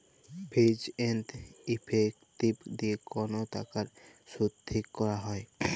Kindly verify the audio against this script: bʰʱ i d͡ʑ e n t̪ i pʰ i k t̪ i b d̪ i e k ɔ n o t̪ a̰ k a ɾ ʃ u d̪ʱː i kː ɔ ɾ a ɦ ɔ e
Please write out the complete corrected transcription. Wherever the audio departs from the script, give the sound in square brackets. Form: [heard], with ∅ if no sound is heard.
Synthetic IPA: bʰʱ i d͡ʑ e n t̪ i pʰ [e] k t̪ i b d̪ i e k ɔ n o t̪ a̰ k a ɾ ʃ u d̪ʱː i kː ɔ ɾ a ɦ ɔ e